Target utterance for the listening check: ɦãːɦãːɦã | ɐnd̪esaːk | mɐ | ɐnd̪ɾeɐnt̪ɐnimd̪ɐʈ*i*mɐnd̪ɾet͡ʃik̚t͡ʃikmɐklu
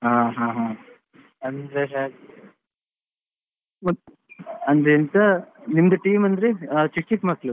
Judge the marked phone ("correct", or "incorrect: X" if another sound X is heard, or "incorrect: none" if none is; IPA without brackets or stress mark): incorrect: iː